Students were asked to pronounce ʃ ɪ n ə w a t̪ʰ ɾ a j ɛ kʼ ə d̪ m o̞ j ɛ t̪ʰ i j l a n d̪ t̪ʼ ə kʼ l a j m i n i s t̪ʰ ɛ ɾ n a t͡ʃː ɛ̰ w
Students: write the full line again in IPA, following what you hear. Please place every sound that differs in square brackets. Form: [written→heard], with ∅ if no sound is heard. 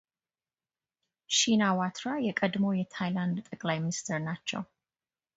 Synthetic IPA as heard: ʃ [ɪ→i] n [ə→a] w a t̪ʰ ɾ a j ɛ kʼ ə d̪ m o̞ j ɛ t̪ʰ [i→a] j l a n d̪ t̪ʼ ə kʼ l a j m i n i s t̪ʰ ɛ ɾ n a t͡ʃː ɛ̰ w